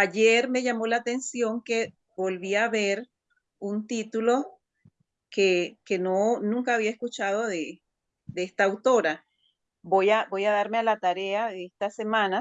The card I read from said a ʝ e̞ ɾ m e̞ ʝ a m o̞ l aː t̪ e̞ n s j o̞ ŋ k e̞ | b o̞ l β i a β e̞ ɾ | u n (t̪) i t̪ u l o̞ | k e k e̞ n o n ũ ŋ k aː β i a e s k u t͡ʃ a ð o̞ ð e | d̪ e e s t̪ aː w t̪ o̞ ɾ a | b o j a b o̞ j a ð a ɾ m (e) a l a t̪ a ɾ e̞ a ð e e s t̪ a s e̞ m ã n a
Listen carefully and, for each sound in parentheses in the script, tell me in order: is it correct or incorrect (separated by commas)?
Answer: correct, correct